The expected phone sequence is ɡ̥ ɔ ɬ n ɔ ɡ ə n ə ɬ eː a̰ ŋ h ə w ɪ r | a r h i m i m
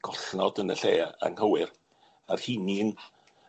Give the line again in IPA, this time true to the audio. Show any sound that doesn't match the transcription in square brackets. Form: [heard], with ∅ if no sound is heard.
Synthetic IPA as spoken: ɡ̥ ɔ ɬ n ɔ [d] ə n ə ɬ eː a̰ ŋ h ə w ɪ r | a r h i [n] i [n]